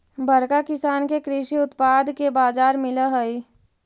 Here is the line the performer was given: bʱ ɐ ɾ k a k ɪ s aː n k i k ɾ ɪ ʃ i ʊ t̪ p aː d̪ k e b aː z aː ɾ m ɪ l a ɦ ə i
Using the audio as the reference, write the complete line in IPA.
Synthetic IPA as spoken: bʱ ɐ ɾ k a k ɪ s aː n k e k ɾ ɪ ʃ i ʊ t̪ p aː d̪ k e b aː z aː ɾ m ɪ l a ɦ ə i